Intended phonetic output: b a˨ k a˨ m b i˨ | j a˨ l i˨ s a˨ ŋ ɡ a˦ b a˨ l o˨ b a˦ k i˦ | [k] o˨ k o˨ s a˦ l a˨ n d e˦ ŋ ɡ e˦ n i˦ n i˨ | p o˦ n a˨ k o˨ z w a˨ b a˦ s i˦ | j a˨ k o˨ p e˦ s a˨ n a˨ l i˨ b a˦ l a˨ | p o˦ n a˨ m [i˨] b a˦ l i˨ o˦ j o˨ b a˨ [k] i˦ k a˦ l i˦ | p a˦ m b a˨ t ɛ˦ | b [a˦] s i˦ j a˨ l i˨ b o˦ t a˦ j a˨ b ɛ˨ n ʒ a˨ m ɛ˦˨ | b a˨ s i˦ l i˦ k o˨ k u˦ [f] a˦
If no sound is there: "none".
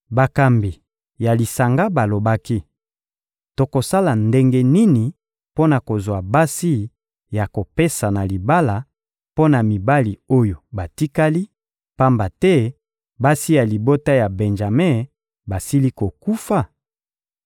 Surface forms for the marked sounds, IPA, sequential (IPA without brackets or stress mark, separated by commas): t, i˨, t, a˦, f